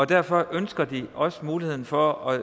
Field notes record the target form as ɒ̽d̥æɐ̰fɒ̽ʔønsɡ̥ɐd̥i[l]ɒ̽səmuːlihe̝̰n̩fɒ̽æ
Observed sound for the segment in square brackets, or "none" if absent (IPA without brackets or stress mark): none